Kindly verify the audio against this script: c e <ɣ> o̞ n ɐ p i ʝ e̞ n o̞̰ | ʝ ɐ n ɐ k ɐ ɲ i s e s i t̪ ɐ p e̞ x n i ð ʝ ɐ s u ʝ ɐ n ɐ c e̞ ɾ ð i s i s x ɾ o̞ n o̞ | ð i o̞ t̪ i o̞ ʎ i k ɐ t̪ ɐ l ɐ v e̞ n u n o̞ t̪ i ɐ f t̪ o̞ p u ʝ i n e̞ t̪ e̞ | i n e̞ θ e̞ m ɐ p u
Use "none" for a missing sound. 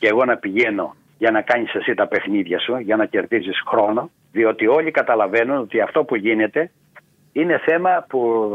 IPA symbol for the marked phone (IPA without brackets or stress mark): ɣ